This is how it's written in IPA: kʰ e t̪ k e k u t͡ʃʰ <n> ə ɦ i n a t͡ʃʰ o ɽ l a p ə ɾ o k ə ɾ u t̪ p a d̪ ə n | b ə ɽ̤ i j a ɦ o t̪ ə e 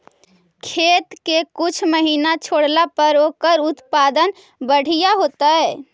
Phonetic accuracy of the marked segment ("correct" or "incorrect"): incorrect